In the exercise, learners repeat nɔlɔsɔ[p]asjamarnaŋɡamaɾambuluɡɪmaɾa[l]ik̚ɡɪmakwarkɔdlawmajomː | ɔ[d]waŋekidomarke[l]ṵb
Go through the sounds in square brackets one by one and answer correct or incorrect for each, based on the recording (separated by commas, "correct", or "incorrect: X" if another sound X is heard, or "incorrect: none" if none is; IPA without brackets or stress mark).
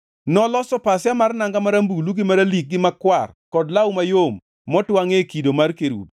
correct, correct, incorrect: t, incorrect: ɾ